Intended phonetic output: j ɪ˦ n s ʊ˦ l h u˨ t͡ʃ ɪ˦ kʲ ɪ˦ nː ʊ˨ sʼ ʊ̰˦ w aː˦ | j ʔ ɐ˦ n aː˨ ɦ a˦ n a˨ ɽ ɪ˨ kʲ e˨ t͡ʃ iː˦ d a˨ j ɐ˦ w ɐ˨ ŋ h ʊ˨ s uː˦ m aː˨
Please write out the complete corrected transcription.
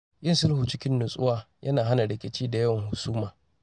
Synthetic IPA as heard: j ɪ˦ n s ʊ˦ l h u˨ t͡ʃ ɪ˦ kʲ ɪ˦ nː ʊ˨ sʼ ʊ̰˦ w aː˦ | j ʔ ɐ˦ n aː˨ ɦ a˦ n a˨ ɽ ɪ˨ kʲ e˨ t͡ʃ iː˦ d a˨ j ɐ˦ w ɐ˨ ŋ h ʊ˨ s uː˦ m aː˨